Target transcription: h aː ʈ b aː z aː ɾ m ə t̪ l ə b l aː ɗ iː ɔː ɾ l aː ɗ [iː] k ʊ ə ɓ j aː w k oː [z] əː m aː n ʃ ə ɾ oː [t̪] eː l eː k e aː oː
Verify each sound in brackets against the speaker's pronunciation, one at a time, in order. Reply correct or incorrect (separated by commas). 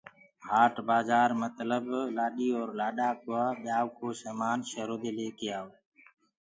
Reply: incorrect, incorrect, incorrect